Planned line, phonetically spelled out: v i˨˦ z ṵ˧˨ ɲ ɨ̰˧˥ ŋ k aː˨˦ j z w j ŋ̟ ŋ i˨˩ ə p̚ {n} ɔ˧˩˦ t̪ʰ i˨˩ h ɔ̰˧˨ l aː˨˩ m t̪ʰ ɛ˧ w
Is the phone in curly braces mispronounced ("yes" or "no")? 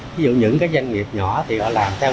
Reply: yes